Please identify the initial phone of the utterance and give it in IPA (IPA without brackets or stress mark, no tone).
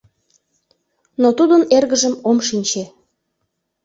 n